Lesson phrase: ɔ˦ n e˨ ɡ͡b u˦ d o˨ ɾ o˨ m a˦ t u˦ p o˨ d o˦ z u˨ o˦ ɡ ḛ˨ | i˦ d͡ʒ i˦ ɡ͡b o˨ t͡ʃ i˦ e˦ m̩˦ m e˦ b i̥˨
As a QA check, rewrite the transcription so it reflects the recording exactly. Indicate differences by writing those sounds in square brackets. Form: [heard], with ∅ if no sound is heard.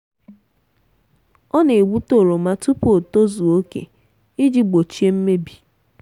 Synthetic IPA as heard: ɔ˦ n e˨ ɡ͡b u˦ [t] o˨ ɾ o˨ m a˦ t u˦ p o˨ [t] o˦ z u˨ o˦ [k] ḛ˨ | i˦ d͡ʒ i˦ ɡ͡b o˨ t͡ʃ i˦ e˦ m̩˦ m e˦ b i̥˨